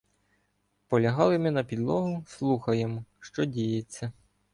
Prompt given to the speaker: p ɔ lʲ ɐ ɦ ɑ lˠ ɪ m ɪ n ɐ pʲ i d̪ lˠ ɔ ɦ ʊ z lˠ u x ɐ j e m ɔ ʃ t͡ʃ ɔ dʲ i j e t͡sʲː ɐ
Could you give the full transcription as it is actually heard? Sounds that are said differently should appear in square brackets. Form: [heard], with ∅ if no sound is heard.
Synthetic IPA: p ɔ lʲ ɐ ɦ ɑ lˠ ɪ m ɪ n ɐ pʲ i d̪ lˠ ɔ ɦ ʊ [s] lˠ u x ɐ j e m ɔ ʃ t͡ʃ ɔ dʲ i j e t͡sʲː ɐ